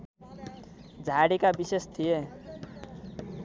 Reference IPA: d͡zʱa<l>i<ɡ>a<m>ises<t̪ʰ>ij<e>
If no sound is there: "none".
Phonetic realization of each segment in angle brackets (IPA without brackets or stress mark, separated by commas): ɽ, k, b, t̪ʰ, e